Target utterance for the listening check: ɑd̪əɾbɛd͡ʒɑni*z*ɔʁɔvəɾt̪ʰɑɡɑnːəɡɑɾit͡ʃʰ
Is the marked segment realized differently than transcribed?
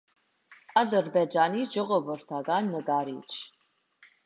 yes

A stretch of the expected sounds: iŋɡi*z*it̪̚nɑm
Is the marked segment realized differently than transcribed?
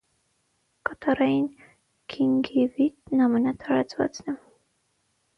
yes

